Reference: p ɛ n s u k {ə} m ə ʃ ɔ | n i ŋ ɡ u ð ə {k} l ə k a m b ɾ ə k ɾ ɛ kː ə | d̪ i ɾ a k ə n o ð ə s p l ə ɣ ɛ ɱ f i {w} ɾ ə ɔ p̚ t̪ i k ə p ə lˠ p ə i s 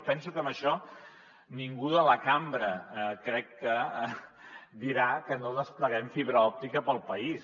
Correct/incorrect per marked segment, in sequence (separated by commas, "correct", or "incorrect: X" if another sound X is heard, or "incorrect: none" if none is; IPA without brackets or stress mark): correct, incorrect: none, incorrect: β